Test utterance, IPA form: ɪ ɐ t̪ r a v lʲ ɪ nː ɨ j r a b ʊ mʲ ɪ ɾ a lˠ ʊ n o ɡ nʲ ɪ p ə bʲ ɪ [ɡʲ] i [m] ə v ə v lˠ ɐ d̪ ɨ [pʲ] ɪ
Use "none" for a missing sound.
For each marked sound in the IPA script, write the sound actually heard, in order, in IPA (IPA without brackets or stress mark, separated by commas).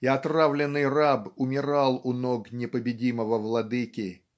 dʲ, m, kʲ